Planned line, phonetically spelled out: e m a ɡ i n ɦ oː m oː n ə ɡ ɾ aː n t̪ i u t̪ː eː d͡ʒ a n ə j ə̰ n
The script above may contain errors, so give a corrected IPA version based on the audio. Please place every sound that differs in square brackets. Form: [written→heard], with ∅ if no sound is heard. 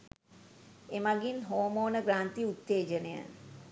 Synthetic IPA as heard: e m a ɡ i n ɦ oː m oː n ə ɡ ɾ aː n t̪ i u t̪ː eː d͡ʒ [a→ə] n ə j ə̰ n